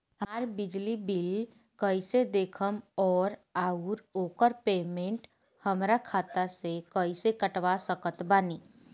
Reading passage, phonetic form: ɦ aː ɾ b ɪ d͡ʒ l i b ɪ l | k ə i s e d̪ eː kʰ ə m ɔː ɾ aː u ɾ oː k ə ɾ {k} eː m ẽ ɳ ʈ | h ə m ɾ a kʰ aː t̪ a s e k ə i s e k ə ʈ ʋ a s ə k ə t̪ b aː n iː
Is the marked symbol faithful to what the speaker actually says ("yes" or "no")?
no